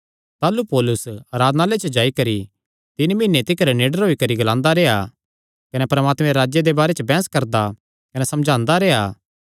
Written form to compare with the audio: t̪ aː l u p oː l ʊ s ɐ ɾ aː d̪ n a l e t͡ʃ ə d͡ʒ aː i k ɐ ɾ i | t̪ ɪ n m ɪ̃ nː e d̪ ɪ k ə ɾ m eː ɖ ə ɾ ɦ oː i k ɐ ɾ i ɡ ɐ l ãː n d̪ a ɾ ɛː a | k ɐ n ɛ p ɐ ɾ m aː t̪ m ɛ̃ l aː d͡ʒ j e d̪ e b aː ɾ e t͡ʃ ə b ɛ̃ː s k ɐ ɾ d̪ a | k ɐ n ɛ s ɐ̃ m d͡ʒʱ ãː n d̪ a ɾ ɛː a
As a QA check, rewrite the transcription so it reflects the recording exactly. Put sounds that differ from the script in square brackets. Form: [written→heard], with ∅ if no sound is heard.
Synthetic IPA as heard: t̪ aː l u p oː l ʊ s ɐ ɾ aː d̪ n a l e t͡ʃ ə d͡ʒ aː i k ɐ ɾ i | t̪ ɪ n m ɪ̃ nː e [d̪→t̪] ɪ k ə ɾ [m→n] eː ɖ ə ɾ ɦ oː i k ɐ ɾ i ɡ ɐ l ãː n d̪ a ɾ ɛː a | k ɐ n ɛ p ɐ ɾ m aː t̪ m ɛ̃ [l→ɾ] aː d͡ʒ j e d̪ e b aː ɾ e t͡ʃ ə b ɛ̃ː s k ɐ ɾ d̪ a | k ɐ n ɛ s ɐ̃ m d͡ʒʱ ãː n d̪ a ɾ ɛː a